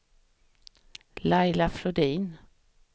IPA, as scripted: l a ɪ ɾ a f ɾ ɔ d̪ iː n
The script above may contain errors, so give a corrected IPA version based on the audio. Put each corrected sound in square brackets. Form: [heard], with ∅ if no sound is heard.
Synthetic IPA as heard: l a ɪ [l] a f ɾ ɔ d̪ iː n